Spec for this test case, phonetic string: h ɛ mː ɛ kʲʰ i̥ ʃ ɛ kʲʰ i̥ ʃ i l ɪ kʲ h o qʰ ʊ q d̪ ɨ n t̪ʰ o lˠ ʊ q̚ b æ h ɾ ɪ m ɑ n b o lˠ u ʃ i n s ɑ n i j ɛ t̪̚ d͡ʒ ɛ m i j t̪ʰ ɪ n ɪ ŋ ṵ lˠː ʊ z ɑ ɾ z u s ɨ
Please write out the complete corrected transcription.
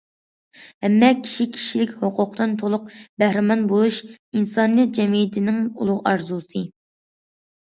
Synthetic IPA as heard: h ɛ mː ɛ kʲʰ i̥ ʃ i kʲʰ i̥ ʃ i l ɪ kʲ h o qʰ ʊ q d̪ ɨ n t̪ʰ o lˠ ʊ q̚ b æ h ɾ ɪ m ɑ n b o lˠ u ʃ i n s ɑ n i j ɛ t̪̚ d͡ʒ ɛ m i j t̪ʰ ɪ n ɪ ŋ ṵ lˠ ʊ ʁ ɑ ɾ z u s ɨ